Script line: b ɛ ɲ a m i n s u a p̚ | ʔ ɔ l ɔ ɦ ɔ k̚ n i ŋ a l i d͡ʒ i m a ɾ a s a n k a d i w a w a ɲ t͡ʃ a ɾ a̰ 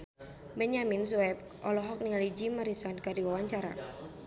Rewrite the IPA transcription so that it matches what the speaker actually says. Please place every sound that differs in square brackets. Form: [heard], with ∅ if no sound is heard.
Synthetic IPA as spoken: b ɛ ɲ a m i n s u [ɛ] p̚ | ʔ ɔ l ɔ ɦ ɔ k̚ n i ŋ a l i d͡ʒ i m a ɾ [i] s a n k a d i w a w a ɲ t͡ʃ a ɾ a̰